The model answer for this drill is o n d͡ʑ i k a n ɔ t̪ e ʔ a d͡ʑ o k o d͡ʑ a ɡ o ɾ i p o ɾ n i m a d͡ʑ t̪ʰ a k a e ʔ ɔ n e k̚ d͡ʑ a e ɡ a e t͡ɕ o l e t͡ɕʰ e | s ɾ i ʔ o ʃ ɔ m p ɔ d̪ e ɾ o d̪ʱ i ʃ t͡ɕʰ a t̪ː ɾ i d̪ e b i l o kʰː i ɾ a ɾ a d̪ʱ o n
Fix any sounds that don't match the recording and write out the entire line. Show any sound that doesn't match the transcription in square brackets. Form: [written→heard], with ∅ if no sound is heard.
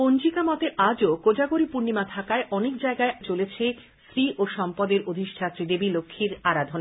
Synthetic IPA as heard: o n d͡ʑ i k a [n→m] ɔ t̪ e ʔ a d͡ʑ o k o d͡ʑ a ɡ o ɾ i p [o→u] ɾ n i m a [d͡ʑ→∅] t̪ʰ a k a e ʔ ɔ n e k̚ d͡ʑ a e ɡ a e t͡ɕ o l e t͡ɕʰ e | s ɾ i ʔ o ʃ ɔ m p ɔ d̪ e ɾ o d̪ʱ i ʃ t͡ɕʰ a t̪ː ɾ i d̪ e b i l o kʰː i ɾ a ɾ a d̪ʱ o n

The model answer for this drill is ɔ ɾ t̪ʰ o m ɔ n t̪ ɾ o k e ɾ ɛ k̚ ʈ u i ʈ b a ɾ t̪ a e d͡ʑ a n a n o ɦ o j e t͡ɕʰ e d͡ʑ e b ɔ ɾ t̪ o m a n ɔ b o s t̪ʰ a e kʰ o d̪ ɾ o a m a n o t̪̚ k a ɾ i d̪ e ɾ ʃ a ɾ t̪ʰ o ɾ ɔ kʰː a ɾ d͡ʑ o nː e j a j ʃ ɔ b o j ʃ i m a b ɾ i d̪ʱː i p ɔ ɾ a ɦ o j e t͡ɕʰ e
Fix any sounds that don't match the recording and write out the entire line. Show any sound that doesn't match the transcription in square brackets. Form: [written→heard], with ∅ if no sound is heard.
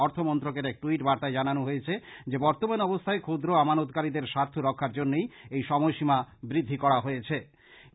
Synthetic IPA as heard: ɔ ɾ t̪ʰ o m ɔ n t̪ ɾ o k e ɾ ɛ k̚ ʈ u i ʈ b a ɾ t̪ a e d͡ʑ a n a n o ɦ o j e t͡ɕʰ e d͡ʑ e b ɔ ɾ t̪ o m a n ɔ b o s t̪ʰ a e kʰ o d̪ ɾ o a m a n o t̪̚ k a ɾ i d̪ e ɾ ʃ a ɾ t̪ʰ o ɾ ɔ kʰː a ɾ d͡ʑ o nː e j [a→e] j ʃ ɔ [b→m] o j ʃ i m a b ɾ i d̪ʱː i [p→k] ɔ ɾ a ɦ o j e t͡ɕʰ e

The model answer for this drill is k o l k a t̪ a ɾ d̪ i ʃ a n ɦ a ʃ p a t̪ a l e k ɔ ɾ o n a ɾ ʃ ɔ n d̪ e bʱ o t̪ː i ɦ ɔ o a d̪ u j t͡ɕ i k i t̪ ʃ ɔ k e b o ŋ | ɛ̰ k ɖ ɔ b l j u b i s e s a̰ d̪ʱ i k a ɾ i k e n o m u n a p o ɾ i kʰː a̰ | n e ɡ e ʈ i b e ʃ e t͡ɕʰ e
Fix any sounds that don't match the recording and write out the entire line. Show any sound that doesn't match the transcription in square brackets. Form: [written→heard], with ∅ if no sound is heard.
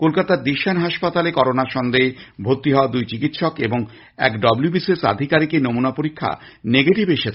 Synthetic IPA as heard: k o l k a t̪ a ɾ d̪ i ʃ a n ɦ a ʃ p a t̪ a l e k ɔ ɾ o n a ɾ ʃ ɔ n d̪ e bʱ o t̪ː i ɦ ɔ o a d̪ u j t͡ɕ i k i t̪ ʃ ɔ k e b o ŋ | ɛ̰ k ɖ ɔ b l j u b i s e s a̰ d̪ʱ i k a ɾ i k e n o m u n a p o ɾ i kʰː a̰ | n e ɡ e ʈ i b e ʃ e t͡ɕʰ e

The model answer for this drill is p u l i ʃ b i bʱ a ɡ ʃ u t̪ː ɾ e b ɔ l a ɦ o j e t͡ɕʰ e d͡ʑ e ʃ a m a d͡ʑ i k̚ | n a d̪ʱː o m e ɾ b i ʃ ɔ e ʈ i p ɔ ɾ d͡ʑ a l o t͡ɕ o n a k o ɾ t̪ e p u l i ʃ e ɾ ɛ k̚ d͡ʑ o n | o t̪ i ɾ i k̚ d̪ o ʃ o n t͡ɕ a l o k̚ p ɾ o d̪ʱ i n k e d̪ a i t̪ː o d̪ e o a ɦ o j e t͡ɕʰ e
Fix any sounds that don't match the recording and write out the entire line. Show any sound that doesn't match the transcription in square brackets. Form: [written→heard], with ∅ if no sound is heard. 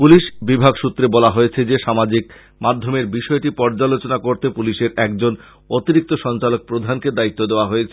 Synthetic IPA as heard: p u l i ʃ b i bʱ a ɡ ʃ u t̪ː ɾ e b ɔ l a ɦ o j e t͡ɕʰ e d͡ʑ e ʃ a m a d͡ʑ i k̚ | [n→m] a d̪ʱː o m e ɾ b i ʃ ɔ e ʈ i p ɔ ɾ d͡ʑ a l o t͡ɕ o n a k o ɾ t̪ e p u l i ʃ e ɾ ɛ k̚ d͡ʑ o n | o t̪ i ɾ i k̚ [d̪→t̪] o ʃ [o→ɔ] n t͡ɕ a l o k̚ p ɾ o d̪ʱ [i→a] n k e d̪ a i t̪ː o d̪ e o a ɦ o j e t͡ɕʰ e

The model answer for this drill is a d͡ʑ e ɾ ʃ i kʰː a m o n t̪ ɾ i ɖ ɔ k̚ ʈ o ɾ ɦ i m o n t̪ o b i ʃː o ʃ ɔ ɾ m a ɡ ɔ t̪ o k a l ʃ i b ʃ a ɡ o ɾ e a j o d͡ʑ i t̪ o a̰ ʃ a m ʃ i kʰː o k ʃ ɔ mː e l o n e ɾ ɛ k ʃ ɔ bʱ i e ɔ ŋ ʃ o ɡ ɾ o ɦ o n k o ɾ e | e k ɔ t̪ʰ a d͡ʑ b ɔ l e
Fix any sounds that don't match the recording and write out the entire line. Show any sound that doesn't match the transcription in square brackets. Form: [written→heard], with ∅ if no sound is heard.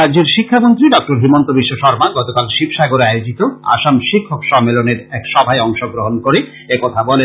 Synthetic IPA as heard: a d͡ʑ e ɾ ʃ i kʰː a m o n t̪ ɾ i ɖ ɔ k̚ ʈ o ɾ ɦ i m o n t̪ o b i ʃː o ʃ ɔ ɾ m a ɡ ɔ t̪ o k a l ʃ i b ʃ a ɡ o ɾ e a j o d͡ʑ i t̪ o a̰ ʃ a m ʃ i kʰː o k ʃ ɔ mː e l o n e ɾ ɛ k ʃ ɔ bʱ [i→a] e ɔ ŋ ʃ o ɡ ɾ o ɦ o n k o ɾ e | e k ɔ t̪ʰ a [d͡ʑ→∅] b ɔ l e

